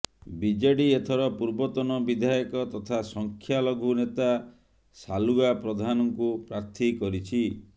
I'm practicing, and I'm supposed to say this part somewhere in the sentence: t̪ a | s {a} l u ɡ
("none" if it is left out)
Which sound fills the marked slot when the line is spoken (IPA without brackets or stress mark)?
a